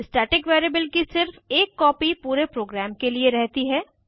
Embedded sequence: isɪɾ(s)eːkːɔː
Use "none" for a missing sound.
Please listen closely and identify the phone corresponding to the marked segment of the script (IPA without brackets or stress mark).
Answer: f